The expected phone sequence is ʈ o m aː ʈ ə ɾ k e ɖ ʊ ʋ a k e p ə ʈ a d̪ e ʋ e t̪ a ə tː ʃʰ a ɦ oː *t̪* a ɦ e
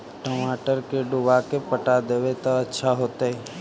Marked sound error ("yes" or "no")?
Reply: no